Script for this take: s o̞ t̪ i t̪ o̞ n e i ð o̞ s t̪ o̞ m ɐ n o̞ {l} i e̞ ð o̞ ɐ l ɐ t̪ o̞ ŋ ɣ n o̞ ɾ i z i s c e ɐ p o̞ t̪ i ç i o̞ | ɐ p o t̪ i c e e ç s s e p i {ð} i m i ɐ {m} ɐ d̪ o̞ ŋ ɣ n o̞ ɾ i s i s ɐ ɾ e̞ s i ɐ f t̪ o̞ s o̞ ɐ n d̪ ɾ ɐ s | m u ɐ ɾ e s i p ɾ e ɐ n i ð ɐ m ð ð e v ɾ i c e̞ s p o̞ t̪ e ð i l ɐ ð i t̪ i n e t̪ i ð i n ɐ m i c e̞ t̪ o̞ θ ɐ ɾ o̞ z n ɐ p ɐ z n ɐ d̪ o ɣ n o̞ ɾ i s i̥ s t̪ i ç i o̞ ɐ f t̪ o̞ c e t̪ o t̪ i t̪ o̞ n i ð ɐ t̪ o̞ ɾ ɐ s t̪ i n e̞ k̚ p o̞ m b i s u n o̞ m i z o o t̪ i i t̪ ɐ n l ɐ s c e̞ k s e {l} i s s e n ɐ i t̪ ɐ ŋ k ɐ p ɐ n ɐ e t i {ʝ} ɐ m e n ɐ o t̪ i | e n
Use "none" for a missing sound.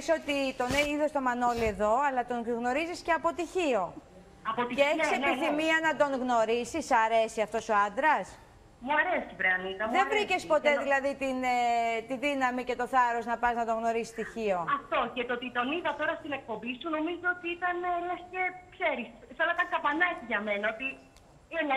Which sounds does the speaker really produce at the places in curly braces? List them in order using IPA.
l, θ, n, ɾ, ʝ

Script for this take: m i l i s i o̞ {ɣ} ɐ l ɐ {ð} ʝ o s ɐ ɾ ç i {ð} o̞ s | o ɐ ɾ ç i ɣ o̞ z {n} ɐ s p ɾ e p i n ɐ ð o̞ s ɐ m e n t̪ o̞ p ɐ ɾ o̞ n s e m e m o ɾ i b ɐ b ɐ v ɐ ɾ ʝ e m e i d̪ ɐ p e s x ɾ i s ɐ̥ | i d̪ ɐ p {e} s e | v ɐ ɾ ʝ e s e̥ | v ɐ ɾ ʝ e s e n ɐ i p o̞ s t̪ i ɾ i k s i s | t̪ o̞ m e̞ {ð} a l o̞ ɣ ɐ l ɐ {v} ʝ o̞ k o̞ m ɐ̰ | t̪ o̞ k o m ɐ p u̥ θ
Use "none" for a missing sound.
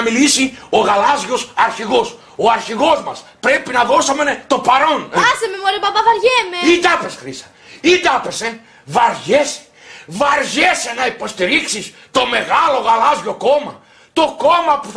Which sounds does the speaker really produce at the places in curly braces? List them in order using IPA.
ɣ, z, ɣ, m, e, ɣ, z

